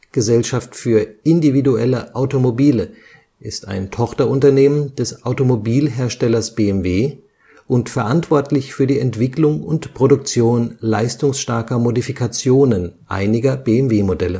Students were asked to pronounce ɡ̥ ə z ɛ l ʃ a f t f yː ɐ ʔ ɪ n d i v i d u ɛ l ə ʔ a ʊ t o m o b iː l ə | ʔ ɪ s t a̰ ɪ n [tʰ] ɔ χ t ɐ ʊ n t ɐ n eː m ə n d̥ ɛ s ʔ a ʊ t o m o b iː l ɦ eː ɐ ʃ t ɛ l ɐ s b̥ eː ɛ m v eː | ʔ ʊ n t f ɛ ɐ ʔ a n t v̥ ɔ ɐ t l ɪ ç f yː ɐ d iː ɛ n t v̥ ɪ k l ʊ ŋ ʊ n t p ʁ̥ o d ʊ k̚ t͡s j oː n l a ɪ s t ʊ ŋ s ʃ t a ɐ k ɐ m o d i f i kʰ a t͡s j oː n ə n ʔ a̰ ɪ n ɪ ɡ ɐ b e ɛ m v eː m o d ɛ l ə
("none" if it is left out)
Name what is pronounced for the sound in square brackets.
tʰ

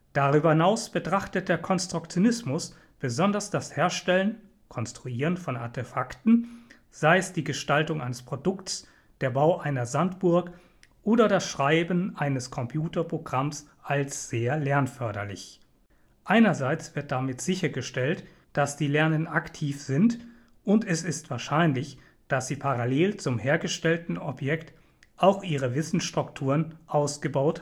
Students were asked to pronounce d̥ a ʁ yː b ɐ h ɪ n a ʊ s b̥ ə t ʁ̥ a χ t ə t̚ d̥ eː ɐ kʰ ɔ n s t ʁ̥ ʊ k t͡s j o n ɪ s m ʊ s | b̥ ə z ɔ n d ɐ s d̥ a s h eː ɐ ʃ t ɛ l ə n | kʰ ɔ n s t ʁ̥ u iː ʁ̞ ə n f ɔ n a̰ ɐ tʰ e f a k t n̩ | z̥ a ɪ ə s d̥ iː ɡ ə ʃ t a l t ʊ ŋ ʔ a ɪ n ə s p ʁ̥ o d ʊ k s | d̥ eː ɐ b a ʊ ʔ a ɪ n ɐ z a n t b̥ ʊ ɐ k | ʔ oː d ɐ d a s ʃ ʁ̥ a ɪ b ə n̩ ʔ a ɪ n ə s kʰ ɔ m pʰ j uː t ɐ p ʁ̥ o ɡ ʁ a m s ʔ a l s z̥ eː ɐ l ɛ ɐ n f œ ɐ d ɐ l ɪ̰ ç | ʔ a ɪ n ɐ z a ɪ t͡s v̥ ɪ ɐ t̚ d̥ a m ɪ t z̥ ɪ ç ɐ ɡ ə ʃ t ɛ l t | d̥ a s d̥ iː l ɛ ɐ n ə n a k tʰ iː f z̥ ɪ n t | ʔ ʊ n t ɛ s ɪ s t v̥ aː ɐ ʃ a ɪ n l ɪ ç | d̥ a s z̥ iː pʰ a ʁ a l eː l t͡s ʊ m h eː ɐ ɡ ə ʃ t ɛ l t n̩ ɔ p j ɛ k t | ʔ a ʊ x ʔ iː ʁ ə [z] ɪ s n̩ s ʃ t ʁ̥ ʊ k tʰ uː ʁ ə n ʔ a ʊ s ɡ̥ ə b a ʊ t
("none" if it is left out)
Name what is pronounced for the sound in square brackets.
v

